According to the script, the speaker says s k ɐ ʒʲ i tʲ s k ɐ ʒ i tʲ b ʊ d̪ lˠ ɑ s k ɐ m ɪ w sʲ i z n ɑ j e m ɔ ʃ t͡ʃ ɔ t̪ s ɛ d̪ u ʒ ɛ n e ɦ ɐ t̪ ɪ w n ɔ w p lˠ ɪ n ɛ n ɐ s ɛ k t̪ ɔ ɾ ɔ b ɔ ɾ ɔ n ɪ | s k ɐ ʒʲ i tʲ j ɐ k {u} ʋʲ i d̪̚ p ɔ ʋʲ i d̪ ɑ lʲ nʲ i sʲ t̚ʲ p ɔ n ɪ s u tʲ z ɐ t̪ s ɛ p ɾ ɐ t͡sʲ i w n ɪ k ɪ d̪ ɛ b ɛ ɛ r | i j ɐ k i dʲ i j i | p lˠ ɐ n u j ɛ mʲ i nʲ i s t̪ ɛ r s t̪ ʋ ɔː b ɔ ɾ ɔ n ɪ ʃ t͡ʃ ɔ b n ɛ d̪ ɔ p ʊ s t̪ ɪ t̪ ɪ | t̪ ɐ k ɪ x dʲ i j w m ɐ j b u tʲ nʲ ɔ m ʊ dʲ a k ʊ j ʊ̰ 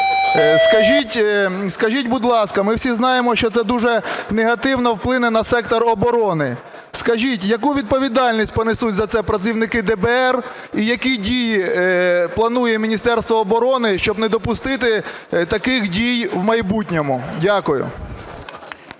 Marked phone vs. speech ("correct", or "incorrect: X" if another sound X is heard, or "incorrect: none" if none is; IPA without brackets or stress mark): correct